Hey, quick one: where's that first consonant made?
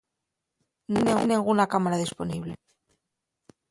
tongue tip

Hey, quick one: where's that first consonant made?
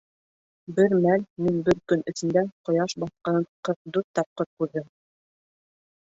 lips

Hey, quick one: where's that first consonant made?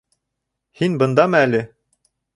throat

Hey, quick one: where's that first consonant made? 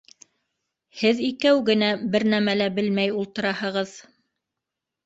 throat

